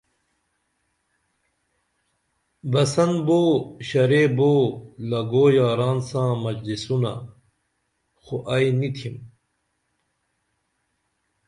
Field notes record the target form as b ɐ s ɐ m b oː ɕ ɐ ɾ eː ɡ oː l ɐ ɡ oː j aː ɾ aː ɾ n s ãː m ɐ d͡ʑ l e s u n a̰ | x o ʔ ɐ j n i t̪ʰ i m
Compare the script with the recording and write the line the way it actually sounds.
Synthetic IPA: b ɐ s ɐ n b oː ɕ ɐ ɾ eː b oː l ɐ ɡ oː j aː ɾ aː n s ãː m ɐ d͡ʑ l i s u n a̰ | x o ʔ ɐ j n i t̪ʰ i m